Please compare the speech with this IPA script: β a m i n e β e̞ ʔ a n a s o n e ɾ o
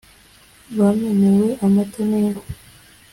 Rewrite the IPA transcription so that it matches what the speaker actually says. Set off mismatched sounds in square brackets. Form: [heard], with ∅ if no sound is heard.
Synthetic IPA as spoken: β a m [e] n e [w] e̞ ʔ a [m] a [t] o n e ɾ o